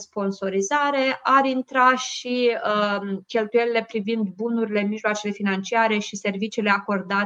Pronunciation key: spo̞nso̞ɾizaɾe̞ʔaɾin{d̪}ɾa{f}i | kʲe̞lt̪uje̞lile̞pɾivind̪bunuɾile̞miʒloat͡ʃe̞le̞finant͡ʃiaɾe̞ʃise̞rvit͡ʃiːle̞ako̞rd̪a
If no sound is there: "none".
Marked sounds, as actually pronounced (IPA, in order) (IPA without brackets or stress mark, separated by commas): t̪, ʃ